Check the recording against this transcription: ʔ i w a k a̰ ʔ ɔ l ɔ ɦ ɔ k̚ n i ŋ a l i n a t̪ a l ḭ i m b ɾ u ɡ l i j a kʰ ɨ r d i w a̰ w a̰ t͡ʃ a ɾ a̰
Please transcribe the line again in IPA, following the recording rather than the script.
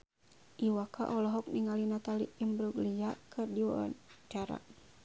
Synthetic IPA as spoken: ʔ i w a k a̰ ʔ ɔ l ɔ ɦ ɔ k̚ n i ŋ a l i n a t̪ a l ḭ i m b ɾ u ɡ l i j a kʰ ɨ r d i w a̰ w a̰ t͡ʃ a ɾ a̰